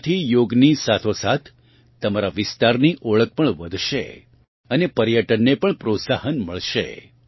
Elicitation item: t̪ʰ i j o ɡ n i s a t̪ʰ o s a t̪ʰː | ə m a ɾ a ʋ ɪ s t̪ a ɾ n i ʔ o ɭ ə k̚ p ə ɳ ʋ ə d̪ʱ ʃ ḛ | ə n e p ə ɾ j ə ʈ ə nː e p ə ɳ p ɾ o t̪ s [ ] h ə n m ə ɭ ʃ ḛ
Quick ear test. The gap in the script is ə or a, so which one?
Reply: a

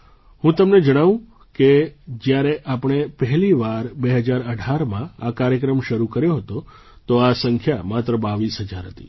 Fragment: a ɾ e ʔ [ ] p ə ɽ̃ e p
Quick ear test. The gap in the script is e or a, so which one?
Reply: a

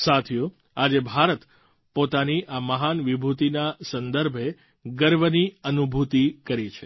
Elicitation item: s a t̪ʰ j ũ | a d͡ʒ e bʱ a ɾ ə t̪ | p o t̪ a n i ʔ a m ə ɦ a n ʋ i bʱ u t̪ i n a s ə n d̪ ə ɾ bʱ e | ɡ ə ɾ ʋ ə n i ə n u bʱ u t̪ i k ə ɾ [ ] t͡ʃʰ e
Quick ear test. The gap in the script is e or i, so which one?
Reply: i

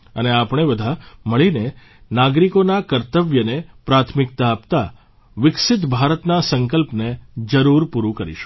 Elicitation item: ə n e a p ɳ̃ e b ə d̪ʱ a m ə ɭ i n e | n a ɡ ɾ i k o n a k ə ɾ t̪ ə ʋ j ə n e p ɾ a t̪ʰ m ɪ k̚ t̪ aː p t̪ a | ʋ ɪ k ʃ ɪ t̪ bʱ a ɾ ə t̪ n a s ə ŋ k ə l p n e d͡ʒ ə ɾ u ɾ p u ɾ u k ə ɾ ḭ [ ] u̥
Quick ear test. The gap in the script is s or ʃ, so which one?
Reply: ʃ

